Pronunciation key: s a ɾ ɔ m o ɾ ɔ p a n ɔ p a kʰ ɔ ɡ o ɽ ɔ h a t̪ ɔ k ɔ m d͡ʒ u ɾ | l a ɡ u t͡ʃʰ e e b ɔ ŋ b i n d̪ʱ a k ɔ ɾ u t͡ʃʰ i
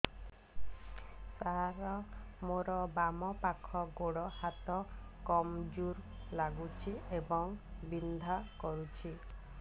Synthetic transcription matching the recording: s a ɾ ɔ m o ɾ ɔ b a m ɔ p a kʰ ɔ ɡ o ɽ ɔ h a t̪ ɔ k ɔ m d͡ʒ u ɾ | l a ɡ u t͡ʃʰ i e b ɔ ŋ b i n d̪ʱ a k ɔ ɾ u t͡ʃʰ i